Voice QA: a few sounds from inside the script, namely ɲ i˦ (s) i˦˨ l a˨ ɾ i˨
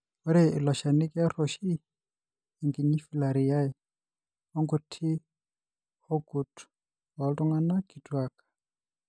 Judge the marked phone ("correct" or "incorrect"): incorrect